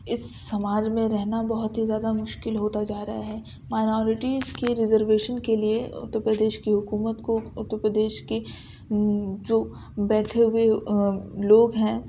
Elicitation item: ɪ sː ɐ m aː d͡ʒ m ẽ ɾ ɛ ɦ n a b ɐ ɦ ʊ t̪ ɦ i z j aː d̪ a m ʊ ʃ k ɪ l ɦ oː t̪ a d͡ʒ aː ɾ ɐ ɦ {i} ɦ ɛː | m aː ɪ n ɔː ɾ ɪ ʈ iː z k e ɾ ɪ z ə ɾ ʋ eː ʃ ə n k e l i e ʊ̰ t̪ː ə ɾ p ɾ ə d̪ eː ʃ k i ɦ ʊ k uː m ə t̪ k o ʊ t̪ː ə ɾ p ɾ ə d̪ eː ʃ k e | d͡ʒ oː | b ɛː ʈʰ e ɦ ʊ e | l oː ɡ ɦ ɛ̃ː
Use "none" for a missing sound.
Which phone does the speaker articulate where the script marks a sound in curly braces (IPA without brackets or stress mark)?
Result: a